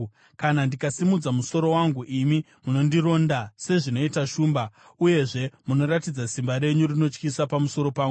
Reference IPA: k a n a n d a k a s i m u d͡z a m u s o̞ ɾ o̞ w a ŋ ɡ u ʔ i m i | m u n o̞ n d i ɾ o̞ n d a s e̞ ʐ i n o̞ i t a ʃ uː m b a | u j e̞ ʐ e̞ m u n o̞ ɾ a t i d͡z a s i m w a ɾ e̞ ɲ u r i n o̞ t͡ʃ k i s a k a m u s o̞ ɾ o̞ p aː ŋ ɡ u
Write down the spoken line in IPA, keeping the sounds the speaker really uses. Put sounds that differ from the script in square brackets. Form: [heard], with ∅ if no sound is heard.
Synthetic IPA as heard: k a n a n d [i] k a s i m u d͡z a m u s o̞ ɾ o̞ w a ŋ ɡ u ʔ i m i | m u n o̞ n d i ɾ o̞ n d a s e̞ ʐ i n o̞ i t a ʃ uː m b a | u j e̞ ʐ e̞ m u n o̞ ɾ a t i d͡z a s i m [b] a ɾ e̞ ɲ u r i n o̞ t͡ʃ k i s a [p] a m u s o̞ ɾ o̞ p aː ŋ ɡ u